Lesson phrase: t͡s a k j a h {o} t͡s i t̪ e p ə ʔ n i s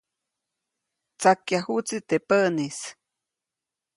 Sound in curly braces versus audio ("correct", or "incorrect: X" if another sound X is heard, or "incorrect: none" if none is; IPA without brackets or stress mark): incorrect: u